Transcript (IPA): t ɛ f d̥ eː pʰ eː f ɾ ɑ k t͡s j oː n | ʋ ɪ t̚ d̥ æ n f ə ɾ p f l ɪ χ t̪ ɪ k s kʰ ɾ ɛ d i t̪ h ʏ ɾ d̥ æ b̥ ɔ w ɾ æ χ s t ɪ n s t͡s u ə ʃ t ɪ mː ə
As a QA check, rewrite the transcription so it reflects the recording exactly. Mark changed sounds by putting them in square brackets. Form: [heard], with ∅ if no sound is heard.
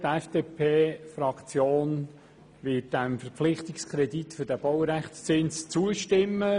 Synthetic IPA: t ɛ f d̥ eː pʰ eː f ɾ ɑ k t͡s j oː n | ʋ ɪ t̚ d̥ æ [m] f ə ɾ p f l ɪ χ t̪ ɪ k s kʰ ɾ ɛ d i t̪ [f] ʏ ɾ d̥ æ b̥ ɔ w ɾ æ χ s [t͡s] ɪ n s t͡s u ə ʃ t ɪ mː ə

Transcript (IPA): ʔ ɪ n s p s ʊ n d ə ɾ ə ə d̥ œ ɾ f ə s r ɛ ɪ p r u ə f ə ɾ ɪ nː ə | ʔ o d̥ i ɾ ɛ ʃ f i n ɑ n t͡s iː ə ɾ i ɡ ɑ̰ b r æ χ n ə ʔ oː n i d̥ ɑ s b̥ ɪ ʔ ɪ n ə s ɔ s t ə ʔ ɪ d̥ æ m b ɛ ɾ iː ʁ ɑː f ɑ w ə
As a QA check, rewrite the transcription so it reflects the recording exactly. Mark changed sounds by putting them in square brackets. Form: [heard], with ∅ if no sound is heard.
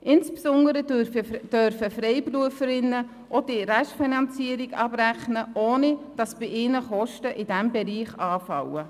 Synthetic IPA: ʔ ɪ n s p s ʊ n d ə ɾ ə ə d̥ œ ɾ f ə [f] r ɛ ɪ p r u ə f ə ɾ ɪ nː ə | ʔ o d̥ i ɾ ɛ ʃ f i n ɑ n t͡s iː ə ɾ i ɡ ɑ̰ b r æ χ n ə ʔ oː n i d̥ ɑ s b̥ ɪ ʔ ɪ n ə [χ] ɔ [ʃ] t ə ʔ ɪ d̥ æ m b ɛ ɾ iː [χ] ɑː f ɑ w ə

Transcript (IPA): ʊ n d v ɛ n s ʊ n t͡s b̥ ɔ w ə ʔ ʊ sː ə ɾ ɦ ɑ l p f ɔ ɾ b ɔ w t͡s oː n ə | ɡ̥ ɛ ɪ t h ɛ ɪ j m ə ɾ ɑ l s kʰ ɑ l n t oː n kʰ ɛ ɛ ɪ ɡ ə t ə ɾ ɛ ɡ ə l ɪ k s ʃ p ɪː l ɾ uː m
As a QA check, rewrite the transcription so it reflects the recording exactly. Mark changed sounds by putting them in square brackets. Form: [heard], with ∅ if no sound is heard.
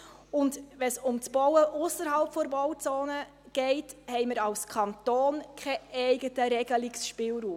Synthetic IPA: ʊ n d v ɛ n s ʊ [m] t͡s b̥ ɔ w ə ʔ ʊ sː ə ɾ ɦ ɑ l p f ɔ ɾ b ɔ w t͡s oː n ə | ɡ̥ ɛ ɪ t h ɛ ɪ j m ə ɾ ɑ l s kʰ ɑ [∅] n t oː n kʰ ɛ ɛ ɪ ɡ ə t ə ɾ ɛ ɡ ə l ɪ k s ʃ p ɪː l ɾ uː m

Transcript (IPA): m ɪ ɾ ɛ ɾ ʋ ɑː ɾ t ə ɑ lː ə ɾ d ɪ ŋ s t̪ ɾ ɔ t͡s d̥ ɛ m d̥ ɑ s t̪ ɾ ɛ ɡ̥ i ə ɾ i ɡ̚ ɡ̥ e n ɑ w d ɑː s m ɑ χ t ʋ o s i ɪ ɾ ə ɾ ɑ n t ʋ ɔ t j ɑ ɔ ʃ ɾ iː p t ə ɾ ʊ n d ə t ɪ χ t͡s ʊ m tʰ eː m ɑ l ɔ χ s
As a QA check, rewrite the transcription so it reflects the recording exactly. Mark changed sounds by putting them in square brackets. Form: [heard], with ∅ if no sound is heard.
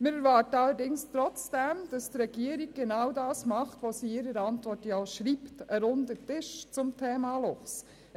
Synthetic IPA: m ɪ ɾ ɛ ɾ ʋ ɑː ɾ t ə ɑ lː ə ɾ d ɪ ŋ s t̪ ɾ ɔ t͡s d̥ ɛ m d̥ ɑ s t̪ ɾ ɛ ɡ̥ i ə ɾ i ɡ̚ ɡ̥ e n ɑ w d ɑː s m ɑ χ t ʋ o s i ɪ ɾ ə ɾ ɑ n t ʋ ɔ t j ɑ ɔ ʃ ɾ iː p t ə ɾ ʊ n d ə t ɪ [ʃ] t͡s ʊ m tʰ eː m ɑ l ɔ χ s

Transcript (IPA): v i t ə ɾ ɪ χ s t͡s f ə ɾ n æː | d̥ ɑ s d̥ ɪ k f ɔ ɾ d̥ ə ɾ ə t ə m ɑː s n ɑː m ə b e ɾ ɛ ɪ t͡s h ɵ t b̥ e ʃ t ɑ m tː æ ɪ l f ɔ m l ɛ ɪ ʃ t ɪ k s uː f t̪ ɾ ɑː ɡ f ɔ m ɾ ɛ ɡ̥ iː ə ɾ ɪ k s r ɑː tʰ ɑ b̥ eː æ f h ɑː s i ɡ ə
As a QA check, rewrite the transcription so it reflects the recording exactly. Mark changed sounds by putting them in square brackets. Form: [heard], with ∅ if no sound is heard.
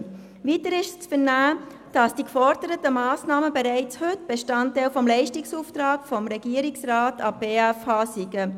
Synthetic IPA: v i t ə ɾ ɪ [ʃ] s t͡s f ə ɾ n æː | d̥ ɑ s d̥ [i] k f ɔ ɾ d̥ ə ɾ ə t ə m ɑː s n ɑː m ə b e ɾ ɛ ɪ t͡s h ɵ t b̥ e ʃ t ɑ [n] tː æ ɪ l f ɔ m l ɛ ɪ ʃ t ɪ k s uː f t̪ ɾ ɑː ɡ f ɔ m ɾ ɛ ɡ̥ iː ə ɾ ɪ k s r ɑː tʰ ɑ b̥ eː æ f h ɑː s i ɡ ə

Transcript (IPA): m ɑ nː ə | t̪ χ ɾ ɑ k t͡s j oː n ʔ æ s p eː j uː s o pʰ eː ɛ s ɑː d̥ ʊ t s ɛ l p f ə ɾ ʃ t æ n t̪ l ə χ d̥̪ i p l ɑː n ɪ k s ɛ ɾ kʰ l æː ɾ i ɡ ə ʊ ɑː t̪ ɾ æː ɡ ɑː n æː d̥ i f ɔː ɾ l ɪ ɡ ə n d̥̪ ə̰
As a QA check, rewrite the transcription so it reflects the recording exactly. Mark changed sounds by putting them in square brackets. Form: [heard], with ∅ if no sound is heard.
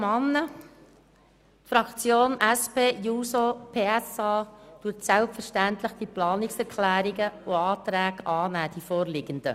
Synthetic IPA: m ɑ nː ə | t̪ [f] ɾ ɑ k t͡s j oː n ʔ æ s p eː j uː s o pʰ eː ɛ s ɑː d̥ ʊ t s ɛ l p f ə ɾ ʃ t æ n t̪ l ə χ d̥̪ i p l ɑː n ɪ k s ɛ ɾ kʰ l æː ɾ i ɡ ə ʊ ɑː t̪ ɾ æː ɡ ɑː n æː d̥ i f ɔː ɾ l ɪ ɡ ə n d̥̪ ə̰

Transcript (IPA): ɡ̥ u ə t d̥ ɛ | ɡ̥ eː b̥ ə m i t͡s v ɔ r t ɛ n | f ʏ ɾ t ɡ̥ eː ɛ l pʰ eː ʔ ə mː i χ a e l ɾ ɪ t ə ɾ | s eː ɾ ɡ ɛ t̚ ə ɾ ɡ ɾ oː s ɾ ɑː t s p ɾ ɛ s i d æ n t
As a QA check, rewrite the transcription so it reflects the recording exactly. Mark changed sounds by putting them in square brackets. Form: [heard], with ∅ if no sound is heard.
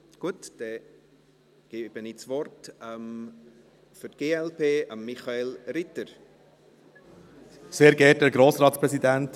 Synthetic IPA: ɡ̥ u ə t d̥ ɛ | ɡ̥ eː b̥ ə [n] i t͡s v ɔ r t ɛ [m] | f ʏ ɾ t ɡ̥ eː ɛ l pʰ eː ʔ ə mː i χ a e l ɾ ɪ t ə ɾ | s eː ɾ ɡ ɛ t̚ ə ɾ ɡ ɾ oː s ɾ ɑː t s p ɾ ɛ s i d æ n t

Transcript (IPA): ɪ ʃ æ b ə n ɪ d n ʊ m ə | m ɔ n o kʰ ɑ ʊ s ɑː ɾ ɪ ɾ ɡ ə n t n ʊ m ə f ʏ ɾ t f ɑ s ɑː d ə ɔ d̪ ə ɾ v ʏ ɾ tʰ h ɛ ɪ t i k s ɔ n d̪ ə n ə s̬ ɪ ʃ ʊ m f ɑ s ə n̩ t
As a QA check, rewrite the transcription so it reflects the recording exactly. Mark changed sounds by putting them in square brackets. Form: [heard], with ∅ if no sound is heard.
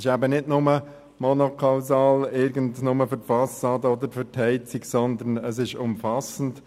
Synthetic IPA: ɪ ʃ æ b ə n ɪ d n ʊ m ə | m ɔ n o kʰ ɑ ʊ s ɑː [l] ɪ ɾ ɡ ə n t n ʊ m ə f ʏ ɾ t f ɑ s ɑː d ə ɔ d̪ ə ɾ [f] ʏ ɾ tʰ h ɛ ɪ [t͡s] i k s ɔ n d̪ ə n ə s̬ ɪ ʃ ʊ m f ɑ s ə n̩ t

